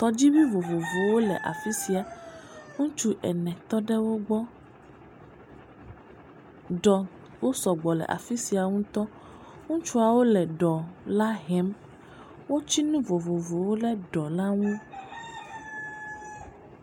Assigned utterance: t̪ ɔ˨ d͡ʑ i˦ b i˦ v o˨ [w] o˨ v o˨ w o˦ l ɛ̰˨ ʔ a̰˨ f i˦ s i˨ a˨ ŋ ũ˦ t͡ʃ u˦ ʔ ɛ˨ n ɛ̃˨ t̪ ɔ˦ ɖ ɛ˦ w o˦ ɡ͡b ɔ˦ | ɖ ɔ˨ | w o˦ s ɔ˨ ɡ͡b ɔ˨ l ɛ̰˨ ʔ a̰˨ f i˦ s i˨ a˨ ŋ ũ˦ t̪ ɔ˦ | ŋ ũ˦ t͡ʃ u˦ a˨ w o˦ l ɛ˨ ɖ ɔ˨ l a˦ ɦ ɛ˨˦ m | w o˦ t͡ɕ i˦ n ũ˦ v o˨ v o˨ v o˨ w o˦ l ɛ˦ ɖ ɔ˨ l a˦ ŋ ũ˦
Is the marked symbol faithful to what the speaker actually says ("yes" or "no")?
no